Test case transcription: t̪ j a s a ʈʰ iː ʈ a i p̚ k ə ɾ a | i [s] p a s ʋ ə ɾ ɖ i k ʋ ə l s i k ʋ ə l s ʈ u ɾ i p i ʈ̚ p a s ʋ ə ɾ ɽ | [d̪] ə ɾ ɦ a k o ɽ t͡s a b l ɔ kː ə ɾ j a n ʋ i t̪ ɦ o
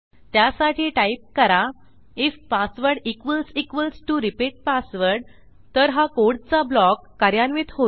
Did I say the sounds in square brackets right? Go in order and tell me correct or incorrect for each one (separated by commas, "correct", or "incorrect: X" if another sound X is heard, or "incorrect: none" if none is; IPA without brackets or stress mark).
incorrect: f, incorrect: t̪